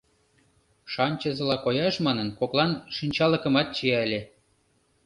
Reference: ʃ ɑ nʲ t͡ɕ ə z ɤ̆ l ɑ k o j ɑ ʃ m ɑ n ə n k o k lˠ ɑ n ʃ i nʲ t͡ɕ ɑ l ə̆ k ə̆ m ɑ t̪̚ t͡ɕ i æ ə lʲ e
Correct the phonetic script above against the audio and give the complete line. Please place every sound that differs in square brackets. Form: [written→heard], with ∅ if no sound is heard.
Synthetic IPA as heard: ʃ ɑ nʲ t͡ɕ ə z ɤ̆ l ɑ k o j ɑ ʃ m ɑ n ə n k o k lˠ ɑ n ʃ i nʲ t͡ɕ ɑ l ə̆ k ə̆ m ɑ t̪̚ t͡ɕ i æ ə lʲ e